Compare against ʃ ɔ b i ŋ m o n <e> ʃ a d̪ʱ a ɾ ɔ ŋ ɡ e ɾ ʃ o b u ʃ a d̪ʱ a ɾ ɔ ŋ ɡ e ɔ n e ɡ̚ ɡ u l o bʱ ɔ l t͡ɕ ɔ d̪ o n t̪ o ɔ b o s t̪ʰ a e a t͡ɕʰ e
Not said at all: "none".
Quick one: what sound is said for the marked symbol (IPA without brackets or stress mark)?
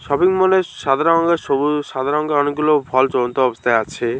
e